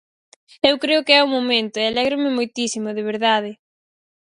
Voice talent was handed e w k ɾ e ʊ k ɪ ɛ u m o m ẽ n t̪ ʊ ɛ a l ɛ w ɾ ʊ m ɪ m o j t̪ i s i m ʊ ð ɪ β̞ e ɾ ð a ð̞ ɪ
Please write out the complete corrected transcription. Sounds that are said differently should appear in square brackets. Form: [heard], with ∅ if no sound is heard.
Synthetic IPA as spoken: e w k ɾ e ʊ k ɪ ɛ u m o m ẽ n t̪ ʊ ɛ a l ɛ [ɣ] ɾ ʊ m ɪ m o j t̪ i s i m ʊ ð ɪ β̞ e ɾ ð a ð̞ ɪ